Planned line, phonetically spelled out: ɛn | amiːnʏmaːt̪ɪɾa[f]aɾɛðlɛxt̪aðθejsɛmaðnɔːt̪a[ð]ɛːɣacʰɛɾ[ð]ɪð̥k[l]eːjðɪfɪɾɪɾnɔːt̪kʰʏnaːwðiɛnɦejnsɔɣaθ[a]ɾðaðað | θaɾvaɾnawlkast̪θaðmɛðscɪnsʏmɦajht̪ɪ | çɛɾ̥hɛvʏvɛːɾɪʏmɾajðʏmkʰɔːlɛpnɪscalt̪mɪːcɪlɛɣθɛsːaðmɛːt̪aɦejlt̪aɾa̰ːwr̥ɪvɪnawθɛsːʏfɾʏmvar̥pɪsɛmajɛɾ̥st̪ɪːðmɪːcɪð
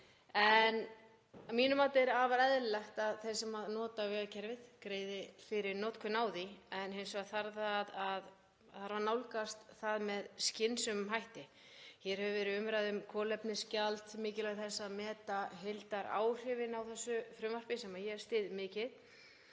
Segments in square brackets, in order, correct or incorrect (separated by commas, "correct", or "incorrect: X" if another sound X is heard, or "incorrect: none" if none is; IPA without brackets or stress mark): incorrect: v, incorrect: v, incorrect: v, incorrect: ɾ, correct